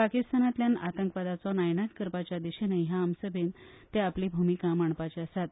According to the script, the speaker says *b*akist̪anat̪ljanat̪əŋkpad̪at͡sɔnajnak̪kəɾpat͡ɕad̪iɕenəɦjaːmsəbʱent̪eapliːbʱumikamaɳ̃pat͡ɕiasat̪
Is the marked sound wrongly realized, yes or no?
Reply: yes